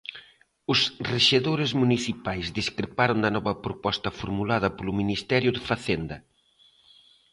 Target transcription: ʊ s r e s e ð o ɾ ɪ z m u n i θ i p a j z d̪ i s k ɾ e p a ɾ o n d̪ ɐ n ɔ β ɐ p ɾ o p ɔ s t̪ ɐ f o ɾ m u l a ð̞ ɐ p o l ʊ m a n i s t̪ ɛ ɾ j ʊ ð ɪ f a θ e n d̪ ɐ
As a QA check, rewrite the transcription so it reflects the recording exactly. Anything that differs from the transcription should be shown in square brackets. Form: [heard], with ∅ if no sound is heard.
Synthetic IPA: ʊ s r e [ʃ] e ð o ɾ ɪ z m u n i θ i p a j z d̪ i s k ɾ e p a ɾ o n d̪ ɐ n ɔ β ɐ p ɾ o p ɔ s t̪ ɐ f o ɾ m u l a ð̞ ɐ p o l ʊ m [i] n i s t̪ ɛ ɾ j ʊ ð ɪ f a θ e n d̪ ɐ